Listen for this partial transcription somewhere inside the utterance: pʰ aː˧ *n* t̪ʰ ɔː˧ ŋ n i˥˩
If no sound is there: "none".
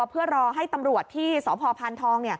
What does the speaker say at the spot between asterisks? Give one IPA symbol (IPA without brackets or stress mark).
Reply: n